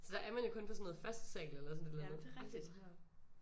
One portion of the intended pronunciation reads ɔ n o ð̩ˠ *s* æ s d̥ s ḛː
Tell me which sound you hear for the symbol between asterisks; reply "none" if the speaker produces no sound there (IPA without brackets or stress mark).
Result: f